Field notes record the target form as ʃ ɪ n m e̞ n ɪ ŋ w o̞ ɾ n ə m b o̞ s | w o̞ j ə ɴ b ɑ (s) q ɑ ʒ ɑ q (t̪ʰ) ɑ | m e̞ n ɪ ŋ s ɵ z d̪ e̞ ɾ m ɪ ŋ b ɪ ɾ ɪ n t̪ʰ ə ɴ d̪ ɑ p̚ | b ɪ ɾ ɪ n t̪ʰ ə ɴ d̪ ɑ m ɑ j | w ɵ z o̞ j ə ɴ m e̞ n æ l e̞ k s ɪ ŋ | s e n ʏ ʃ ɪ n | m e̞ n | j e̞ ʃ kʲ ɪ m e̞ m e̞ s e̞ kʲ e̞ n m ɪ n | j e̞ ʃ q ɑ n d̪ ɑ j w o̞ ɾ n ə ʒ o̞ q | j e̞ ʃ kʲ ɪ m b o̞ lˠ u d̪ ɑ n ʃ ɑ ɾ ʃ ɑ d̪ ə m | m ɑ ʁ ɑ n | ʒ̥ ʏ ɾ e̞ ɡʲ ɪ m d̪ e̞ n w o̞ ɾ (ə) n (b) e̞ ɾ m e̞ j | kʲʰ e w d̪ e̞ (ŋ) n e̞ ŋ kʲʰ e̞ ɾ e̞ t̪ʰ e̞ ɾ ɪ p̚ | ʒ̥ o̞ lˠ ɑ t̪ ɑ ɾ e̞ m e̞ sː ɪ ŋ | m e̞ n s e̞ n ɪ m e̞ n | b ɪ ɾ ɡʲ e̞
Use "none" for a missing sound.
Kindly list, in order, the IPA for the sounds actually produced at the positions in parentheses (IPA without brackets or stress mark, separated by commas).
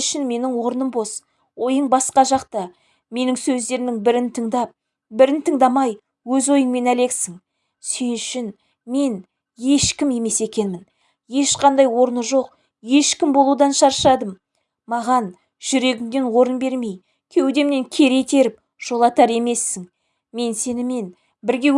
s, t̪, ə, b, m